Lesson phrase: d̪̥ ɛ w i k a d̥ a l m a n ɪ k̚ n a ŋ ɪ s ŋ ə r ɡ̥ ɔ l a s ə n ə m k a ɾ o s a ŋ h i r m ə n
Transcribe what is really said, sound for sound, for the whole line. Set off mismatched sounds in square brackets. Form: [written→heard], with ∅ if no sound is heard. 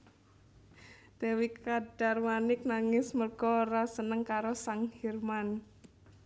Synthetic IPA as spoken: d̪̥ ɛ w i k a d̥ a [l→r] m a n ɪ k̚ n a ŋ ɪ s [ŋ→m] ə r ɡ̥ ɔ [l→ɾ] a s ə n ə [m→ŋ] k a ɾ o s a ŋ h i r m [ə→a] n